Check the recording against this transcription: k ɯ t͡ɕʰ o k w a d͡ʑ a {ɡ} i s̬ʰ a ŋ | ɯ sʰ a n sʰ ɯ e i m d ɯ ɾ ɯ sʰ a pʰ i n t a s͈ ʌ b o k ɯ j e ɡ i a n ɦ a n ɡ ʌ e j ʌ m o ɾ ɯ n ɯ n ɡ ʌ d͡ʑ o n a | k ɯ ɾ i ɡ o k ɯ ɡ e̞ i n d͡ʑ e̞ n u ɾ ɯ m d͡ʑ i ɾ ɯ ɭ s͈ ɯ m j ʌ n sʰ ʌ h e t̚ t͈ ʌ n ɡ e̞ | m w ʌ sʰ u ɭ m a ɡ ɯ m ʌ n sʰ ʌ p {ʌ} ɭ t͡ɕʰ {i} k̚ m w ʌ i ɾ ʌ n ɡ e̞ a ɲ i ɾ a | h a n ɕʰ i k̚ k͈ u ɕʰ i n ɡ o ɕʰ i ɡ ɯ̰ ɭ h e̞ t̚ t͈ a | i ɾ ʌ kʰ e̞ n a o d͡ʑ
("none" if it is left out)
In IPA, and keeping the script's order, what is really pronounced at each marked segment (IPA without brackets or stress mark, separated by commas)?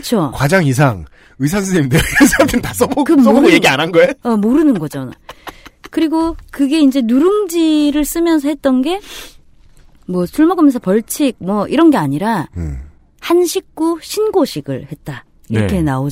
ŋ, ʌ, i